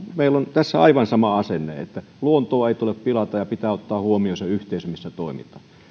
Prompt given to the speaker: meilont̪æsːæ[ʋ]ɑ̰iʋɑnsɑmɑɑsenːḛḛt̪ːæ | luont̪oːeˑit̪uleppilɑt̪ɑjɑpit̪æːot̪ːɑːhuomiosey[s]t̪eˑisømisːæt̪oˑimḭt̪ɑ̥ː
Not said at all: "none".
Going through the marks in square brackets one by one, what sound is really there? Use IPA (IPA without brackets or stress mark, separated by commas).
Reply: none, h